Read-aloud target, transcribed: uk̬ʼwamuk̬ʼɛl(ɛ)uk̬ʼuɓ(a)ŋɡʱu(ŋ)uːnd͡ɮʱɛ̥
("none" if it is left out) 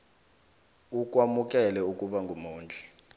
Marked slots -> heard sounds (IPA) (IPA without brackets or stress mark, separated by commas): ɛ, a, m